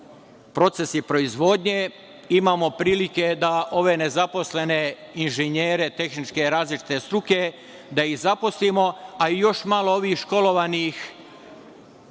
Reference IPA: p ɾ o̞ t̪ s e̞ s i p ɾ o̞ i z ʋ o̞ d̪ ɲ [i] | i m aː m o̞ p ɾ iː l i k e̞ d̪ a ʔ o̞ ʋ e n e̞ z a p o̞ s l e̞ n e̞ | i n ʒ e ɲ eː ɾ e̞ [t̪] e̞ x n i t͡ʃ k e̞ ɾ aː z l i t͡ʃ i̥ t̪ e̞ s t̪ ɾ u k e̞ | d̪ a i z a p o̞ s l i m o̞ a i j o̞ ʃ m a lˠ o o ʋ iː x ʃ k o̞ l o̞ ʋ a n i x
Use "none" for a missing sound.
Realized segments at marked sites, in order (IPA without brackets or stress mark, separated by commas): e, t̪